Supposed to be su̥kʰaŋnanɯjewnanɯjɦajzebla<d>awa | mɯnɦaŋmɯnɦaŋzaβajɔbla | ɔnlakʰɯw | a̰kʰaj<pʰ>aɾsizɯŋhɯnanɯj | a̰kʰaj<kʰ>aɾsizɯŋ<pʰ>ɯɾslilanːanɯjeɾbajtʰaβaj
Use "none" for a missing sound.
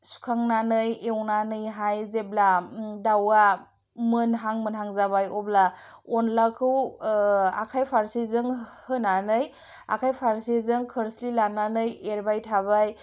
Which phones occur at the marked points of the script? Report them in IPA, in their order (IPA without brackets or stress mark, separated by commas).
d, pʰ, pʰ, kʰ